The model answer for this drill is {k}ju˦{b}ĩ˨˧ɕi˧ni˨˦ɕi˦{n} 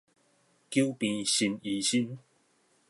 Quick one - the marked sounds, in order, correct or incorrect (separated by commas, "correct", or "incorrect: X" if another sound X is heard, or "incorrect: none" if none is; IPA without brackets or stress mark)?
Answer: correct, incorrect: p, correct